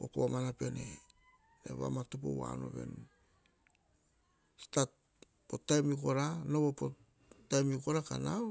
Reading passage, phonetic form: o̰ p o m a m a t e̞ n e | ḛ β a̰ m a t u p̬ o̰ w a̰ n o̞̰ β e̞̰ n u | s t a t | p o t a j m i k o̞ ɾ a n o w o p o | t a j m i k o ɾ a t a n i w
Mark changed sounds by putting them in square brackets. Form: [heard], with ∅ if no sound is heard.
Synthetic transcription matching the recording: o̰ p o m a [n] a [p] e̞ n e | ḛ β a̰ m a t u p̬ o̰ w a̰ n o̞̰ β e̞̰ n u | s t a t | p o t a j m i k o̞ ɾ a n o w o p o | t a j m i k o ɾ a [k] a n [a] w

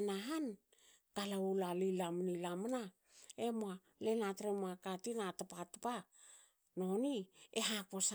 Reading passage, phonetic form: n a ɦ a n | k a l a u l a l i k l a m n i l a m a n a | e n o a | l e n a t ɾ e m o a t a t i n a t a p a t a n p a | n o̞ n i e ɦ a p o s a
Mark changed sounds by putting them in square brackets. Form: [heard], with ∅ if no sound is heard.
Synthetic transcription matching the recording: n a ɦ a n | k a l a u l a l i [∅] l a m n i l a m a n a | e [m] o a | l e n a t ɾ e m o a [k] a t i n a t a p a t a [∅] p a | n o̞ n i e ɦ a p o s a

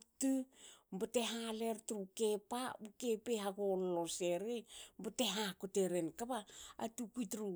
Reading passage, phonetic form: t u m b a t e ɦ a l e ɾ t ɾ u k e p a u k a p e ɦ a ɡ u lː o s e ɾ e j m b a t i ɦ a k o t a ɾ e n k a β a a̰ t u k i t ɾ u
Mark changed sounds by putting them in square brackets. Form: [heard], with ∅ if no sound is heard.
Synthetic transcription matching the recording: t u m b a t e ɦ a l e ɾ t ɾ u k e p a u k [e] p e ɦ a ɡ [o] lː o s e ɾ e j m b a t [e] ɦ a k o t [e] ɾ e n k a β a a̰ t u k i t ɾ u

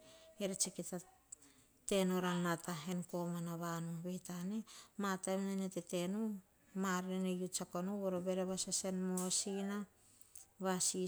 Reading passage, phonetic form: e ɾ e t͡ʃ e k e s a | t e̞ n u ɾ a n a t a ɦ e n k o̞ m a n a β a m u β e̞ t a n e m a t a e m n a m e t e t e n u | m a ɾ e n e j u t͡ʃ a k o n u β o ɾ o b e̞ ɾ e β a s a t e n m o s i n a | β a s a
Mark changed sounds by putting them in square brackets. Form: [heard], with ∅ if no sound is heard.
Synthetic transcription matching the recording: e ɾ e t͡ʃ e k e [t] a | t e̞ n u ɾ a n a t a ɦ e n k o̞ m a n a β a [n] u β e̞ t a n e m a t a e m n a [n] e t e t e n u | m a ɾ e n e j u t͡ʃ a k o n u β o ɾ o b e̞ ɾ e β a s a [s] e n m o s i n a | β a s [i]

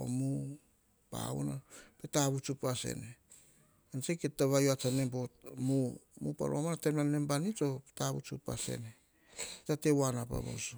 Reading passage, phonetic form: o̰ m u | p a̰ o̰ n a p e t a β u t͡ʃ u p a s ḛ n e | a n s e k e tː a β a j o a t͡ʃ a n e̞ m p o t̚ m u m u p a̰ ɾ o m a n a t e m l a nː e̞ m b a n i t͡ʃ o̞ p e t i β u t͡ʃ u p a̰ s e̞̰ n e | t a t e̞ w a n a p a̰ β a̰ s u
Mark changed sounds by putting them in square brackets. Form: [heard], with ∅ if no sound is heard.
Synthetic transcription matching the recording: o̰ m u | p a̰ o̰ n a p e t a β u t͡ʃ u p a s ḛ n e | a n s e k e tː a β a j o a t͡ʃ a n e̞ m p o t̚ m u m u p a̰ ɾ o m a n a t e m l a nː e̞ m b a n i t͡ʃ o̞ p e t [a] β u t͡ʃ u p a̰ s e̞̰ n e | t a t e̞ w a n a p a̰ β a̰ s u

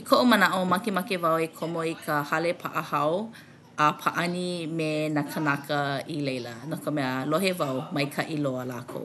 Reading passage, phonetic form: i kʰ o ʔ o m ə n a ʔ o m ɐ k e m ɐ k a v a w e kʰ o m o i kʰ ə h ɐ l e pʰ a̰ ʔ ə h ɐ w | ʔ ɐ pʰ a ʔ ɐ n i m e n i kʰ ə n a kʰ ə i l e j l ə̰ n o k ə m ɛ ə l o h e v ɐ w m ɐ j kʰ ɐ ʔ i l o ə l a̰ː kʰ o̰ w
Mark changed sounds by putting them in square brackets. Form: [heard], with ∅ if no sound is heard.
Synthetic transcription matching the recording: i kʰ o ʔ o m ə n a ʔ o m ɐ k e m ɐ k [e] v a w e kʰ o m o i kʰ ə h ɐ l e pʰ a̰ ʔ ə h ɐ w | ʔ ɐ pʰ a ʔ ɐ n i m e n [a] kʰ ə n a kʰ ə i l e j l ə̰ n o k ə m ɛ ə l o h e v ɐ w m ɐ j kʰ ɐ ʔ i l o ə l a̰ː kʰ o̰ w

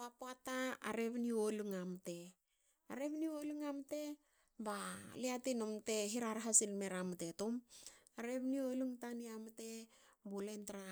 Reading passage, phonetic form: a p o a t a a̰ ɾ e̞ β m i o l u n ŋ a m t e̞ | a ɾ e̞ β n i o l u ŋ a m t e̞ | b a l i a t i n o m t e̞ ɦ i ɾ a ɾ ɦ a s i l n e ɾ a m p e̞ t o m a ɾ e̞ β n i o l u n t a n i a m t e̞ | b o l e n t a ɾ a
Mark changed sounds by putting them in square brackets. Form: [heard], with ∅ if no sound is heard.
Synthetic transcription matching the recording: a p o a t a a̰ ɾ e̞ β [n] i o l u [∅] ŋ a m t e̞ | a ɾ e̞ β n i o l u ŋ a m t e̞ | b a l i a t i n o m t e̞ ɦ i ɾ a ɾ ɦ a s i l [m] e ɾ a m [t] e̞ t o m a ɾ e̞ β n i o l u [ŋ] t a n i a m t e̞ | b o l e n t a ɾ a

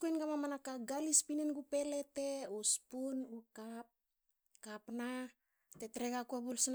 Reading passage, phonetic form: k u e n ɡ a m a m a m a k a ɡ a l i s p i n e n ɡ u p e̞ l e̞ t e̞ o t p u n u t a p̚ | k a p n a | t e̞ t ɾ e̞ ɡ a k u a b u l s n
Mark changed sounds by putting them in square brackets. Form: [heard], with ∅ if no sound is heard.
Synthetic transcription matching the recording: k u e n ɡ a m a m a [n] a k a ɡ a l i s p i n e n ɡ u p e̞ l e̞ t e̞ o [s] p u n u [k] a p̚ | k a p n a | t e̞ t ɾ e̞ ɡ a k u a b u l s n

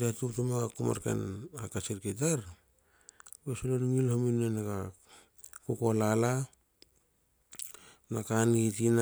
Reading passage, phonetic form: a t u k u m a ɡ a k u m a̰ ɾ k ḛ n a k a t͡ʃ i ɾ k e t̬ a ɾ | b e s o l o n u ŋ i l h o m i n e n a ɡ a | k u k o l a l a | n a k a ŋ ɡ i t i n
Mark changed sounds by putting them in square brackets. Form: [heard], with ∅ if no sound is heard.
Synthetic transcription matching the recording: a t u [t] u m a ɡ a k u m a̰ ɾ k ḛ n a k a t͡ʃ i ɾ k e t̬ a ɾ | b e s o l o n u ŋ i l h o m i n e n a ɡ a | k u k o l a l a | n a k a [n] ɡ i t i n

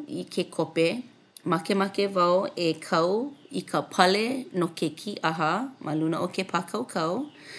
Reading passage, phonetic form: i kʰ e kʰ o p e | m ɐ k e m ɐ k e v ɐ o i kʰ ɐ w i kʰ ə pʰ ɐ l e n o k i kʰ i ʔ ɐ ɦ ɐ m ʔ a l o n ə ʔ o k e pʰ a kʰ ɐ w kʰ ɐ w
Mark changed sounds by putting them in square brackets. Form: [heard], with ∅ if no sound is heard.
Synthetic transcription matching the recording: i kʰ e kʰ o p e | m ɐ k e m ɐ k e v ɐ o [e] kʰ ɐ w i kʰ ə pʰ ɐ l e n o k [e] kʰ i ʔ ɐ ɦ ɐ m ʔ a l [u] n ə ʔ o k e pʰ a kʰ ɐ w kʰ ɐ w

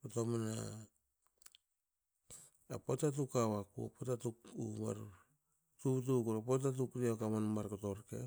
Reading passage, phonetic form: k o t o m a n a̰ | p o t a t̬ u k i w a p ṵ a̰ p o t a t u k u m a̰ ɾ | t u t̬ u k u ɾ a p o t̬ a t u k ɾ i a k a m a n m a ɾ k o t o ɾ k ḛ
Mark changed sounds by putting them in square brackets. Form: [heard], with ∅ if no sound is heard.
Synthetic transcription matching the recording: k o t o m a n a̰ | p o t a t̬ u k [a] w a [k] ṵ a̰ p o t a t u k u m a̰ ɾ | t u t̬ u k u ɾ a p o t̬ a t u k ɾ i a k a m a n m a ɾ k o t o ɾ k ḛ

